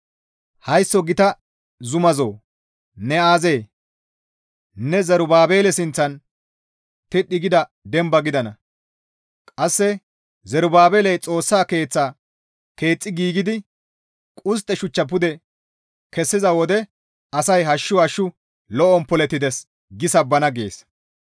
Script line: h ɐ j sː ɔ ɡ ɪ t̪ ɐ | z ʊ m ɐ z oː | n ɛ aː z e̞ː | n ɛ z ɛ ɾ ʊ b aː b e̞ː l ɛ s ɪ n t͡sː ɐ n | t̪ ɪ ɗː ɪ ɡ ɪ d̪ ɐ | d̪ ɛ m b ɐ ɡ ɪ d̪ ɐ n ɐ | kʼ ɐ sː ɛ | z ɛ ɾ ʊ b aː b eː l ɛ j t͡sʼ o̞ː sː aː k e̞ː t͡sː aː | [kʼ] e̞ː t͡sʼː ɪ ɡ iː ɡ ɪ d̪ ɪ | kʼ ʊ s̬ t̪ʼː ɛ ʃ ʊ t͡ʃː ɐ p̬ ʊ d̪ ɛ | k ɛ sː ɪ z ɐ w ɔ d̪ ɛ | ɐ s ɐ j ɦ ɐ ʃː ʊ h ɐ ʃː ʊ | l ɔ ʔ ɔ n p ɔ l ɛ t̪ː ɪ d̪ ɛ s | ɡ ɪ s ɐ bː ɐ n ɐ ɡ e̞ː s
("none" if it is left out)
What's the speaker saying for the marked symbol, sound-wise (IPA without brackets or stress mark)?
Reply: k